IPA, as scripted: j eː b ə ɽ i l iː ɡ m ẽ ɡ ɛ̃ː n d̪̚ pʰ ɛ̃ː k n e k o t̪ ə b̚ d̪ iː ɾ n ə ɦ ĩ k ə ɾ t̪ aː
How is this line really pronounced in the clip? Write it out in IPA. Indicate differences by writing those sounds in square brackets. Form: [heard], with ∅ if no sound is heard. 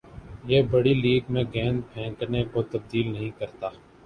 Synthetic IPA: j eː b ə ɽ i l iː ɡ m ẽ ɡ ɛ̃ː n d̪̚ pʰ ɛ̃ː k n e k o t̪ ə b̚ d̪ iː [l] n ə ɦ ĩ k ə ɾ t̪ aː